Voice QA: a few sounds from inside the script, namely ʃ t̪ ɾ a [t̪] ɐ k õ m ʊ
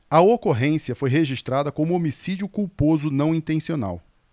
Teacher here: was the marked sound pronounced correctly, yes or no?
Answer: no